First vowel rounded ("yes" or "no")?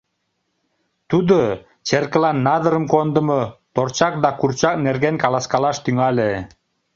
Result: yes